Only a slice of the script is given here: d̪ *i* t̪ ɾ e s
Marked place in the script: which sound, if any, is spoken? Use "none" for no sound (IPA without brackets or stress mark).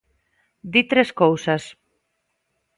i